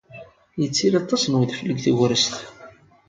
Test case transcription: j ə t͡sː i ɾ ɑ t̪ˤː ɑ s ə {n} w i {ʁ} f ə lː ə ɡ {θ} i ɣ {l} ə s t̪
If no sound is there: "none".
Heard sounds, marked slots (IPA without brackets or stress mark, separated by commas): n, ð, θ, ɾ